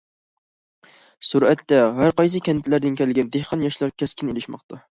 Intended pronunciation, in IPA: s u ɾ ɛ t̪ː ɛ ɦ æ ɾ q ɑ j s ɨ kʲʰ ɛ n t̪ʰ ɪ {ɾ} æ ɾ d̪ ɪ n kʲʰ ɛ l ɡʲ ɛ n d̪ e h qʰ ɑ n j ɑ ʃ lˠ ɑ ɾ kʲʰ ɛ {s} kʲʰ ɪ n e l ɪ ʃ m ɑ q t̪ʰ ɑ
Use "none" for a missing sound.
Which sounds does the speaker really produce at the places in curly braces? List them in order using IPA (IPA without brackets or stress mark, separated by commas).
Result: l, s